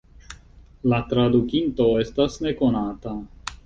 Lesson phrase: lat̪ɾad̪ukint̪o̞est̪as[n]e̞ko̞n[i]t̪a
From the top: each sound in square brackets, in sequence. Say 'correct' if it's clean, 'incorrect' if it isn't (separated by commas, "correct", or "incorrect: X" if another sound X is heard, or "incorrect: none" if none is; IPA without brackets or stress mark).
correct, incorrect: a